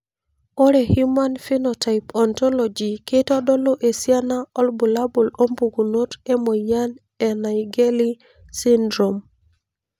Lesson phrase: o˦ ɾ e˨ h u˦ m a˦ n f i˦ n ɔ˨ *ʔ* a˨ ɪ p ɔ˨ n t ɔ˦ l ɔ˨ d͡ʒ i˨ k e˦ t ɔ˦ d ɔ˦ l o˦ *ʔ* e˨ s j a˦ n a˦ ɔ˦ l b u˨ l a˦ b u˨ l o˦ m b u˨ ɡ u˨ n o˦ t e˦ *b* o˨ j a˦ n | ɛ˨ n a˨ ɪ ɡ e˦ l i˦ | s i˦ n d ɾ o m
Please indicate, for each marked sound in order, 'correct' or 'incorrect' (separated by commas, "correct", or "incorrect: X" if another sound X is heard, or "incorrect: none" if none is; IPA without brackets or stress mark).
incorrect: t, correct, incorrect: m